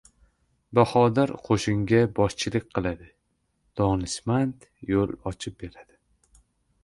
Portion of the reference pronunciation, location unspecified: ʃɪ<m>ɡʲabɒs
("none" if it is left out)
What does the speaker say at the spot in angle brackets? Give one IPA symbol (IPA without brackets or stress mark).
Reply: ŋ